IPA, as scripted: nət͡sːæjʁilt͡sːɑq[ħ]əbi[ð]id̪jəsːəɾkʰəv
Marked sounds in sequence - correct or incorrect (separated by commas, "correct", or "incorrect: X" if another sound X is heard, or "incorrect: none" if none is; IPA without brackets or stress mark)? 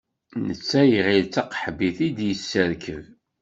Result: correct, incorrect: θ